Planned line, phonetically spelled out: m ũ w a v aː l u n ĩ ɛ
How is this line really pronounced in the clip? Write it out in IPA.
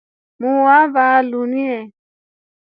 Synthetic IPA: m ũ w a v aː l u n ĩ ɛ